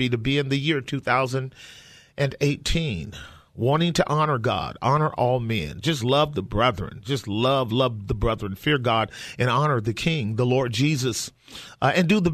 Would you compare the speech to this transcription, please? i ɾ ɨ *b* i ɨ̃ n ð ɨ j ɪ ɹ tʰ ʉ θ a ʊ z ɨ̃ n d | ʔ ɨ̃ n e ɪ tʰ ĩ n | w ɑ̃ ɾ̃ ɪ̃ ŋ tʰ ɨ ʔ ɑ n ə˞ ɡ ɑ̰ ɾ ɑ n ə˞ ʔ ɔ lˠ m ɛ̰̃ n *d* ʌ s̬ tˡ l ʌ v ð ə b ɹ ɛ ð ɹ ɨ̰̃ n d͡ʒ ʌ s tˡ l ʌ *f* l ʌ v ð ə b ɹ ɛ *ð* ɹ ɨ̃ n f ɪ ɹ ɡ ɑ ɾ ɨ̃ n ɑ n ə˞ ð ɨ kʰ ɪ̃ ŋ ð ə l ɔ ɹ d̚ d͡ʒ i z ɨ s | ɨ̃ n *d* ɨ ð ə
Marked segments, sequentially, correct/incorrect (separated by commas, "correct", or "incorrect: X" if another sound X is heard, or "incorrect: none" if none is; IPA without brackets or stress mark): correct, incorrect: d͡ʒ, incorrect: v, correct, correct